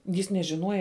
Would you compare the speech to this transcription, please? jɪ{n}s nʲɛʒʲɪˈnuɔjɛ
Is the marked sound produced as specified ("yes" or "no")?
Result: no